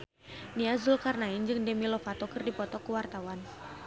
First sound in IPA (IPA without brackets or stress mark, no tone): n